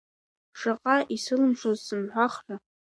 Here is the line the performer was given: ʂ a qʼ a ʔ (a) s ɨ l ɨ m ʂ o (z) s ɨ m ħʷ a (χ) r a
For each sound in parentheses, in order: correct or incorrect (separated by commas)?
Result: incorrect, correct, correct